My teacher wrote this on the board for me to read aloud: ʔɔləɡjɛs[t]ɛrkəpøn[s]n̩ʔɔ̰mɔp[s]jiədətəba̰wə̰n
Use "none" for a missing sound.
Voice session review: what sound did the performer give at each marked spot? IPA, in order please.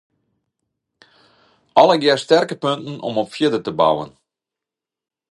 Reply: t, t, f

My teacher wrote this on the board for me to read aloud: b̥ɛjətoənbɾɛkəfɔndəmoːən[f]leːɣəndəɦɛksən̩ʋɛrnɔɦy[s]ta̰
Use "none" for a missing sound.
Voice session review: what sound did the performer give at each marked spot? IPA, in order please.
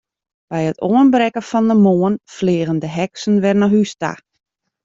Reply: f, s

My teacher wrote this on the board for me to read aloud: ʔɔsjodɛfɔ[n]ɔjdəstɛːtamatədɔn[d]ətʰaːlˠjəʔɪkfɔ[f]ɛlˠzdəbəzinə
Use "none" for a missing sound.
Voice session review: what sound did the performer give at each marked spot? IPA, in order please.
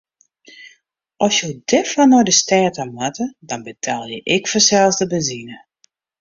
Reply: n, b, s

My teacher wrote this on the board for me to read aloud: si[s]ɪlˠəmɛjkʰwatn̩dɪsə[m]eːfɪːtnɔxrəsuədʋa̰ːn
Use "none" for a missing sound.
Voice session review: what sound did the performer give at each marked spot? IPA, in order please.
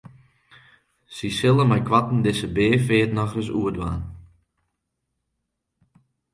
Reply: s, b

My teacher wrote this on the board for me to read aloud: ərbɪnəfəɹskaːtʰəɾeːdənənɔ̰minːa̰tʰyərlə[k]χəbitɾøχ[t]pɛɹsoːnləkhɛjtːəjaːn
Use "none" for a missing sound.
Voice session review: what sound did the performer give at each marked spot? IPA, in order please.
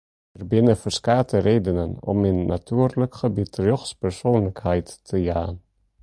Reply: k, s

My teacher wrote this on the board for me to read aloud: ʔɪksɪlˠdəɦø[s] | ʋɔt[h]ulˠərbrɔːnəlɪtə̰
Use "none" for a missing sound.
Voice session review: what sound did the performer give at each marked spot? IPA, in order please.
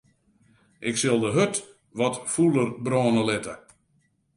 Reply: t, f

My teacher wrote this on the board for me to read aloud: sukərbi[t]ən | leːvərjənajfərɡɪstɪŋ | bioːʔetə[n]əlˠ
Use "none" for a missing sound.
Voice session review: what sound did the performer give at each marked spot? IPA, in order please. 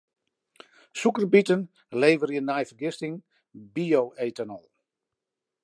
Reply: t, n

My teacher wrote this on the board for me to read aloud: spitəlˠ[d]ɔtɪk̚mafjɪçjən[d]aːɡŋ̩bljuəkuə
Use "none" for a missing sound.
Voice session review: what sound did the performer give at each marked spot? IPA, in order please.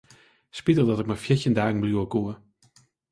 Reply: d, d

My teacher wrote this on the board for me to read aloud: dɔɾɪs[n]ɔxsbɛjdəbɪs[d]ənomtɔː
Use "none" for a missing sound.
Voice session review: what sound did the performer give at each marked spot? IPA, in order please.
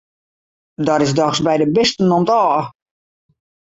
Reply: d, t

